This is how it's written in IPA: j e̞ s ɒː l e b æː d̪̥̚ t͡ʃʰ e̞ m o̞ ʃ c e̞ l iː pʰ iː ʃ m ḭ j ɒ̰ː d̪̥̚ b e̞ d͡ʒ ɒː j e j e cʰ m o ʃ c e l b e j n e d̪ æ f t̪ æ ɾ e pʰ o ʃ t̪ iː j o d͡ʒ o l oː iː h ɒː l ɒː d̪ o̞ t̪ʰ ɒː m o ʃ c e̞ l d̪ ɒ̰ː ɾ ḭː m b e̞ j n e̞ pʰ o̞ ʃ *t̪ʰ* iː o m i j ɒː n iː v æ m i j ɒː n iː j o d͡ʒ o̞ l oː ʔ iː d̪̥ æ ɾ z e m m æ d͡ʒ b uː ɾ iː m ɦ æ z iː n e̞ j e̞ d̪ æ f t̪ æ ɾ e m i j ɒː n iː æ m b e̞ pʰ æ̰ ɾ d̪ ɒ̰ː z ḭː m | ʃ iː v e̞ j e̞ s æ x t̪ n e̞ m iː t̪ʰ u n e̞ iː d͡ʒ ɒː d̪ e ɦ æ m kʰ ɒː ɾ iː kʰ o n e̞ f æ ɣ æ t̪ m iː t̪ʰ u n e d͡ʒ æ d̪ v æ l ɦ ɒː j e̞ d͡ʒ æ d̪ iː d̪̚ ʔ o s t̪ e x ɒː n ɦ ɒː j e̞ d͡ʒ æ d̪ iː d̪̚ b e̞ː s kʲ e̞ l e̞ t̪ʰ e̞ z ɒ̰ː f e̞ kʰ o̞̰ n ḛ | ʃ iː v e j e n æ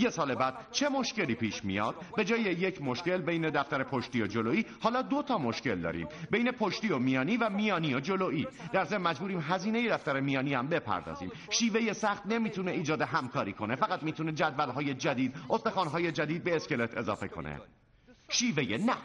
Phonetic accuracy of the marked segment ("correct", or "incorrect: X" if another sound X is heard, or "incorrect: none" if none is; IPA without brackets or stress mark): incorrect: t̪